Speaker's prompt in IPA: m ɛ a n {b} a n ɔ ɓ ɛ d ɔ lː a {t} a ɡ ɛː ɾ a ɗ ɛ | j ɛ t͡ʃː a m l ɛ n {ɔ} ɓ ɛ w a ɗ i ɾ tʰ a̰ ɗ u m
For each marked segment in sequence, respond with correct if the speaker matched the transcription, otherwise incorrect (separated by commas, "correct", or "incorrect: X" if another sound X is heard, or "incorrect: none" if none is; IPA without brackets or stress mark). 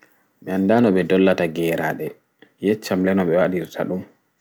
incorrect: d, correct, correct